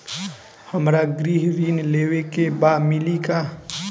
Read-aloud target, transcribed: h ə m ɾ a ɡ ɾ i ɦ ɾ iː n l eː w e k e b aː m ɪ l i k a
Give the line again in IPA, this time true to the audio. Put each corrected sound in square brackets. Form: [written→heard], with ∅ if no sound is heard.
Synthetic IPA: h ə m ɾ a ɡ ɾ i ɦ ɾ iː n l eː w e k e b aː m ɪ l i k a